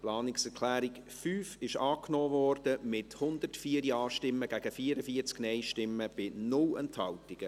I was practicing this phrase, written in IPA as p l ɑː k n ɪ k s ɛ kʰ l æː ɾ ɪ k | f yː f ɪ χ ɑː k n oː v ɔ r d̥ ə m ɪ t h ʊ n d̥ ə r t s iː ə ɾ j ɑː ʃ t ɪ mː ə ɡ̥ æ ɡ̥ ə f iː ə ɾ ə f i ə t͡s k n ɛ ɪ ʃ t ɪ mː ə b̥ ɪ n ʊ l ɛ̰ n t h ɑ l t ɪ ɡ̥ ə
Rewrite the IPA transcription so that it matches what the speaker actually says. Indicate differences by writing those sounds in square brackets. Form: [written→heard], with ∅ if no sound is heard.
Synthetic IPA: p l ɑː [k→∅] n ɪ k s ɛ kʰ l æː ɾ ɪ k | f yː f ɪ [χ→ʃ] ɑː k n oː v ɔ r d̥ ə m ɪ t h ʊ n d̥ ə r t [s→f] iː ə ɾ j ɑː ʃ t ɪ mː ə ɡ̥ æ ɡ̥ ə f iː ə ɾ ə f i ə t͡s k n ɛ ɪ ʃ t ɪ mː ə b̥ ɪ n ʊ l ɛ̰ n t h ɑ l t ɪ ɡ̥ ə